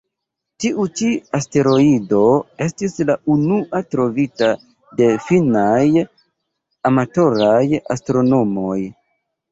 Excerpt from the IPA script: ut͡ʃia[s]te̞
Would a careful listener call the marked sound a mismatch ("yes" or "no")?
no